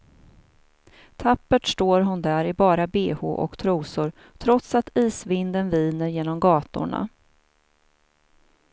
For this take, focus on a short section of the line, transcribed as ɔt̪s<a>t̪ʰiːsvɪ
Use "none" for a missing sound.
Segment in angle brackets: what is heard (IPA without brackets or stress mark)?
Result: a